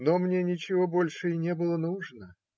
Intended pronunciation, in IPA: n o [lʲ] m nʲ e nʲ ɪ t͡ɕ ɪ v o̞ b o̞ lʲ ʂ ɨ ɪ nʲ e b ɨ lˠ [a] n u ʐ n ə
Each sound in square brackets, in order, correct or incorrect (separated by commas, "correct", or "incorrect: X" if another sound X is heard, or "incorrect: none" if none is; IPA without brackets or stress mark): incorrect: none, incorrect: ə